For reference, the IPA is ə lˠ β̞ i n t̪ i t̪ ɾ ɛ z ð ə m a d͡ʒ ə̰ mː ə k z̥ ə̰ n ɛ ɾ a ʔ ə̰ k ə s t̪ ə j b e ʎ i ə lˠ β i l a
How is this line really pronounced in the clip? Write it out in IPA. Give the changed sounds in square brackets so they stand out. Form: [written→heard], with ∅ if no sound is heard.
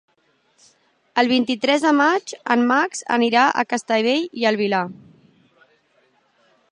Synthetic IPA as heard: ə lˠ β̞ i n t̪ i t̪ ɾ ɛ z ð ə m a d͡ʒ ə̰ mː [ə→a] k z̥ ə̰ n [ɛ→i] ɾ a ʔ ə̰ k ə s t̪ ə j [b→β] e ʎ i ə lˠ β i l a